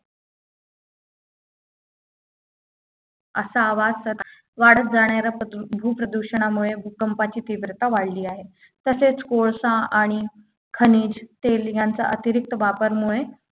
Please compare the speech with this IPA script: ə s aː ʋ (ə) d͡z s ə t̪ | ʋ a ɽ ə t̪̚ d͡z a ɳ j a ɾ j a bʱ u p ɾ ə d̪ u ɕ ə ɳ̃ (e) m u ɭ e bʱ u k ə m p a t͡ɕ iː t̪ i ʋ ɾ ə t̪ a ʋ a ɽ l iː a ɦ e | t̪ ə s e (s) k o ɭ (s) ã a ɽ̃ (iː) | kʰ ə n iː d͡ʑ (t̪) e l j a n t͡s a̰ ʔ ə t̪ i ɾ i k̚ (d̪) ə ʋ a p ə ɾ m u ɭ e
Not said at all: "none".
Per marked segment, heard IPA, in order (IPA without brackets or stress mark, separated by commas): a, a, t͡s, s, i, t̪, t̪